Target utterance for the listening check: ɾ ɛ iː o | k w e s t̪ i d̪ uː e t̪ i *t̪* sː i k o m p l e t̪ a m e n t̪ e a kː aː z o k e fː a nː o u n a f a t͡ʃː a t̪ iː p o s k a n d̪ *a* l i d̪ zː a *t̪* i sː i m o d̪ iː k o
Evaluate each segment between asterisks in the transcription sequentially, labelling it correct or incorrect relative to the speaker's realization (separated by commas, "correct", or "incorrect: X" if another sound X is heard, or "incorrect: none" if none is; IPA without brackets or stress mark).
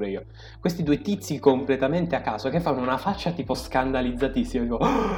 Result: correct, correct, correct